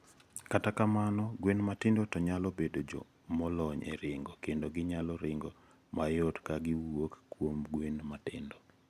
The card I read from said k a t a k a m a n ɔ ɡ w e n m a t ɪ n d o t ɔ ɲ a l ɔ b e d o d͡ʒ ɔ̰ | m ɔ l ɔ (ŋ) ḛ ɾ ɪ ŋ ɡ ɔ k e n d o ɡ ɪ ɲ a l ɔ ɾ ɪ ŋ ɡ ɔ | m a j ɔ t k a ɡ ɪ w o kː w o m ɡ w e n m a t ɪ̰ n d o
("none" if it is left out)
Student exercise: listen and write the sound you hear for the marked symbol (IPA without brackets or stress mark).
ɲ